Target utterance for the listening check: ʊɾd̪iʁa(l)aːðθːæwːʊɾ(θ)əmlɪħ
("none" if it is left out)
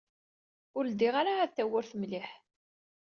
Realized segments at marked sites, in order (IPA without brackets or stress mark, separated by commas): ɾ, θ